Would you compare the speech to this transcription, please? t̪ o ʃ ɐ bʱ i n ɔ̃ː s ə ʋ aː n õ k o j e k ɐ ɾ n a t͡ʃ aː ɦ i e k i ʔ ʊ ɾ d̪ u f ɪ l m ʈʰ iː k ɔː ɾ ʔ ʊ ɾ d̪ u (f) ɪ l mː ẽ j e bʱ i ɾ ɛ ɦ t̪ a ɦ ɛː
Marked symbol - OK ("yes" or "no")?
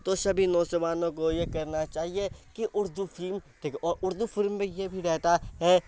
yes